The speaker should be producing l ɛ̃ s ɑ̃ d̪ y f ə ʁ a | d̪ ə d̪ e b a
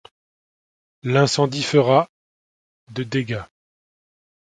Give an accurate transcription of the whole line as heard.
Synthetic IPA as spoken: l ɛ̃ s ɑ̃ d̪ i f ə ʁ a | d̪ ə d̪ e ɡ a